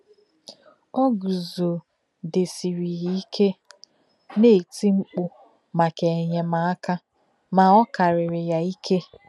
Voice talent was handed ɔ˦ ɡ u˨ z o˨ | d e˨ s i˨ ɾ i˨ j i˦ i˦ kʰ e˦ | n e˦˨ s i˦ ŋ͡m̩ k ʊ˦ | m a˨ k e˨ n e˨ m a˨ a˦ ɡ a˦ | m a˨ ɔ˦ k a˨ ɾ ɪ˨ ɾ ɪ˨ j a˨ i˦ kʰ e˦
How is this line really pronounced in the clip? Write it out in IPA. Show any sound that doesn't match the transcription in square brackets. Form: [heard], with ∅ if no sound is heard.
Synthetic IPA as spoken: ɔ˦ ɡ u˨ z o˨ | d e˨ s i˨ ɾ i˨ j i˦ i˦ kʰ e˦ | n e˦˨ [t] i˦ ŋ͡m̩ [k͡p] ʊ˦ | m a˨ k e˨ [ɲ] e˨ m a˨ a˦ [k] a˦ | m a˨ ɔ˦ k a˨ ɾ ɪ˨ ɾ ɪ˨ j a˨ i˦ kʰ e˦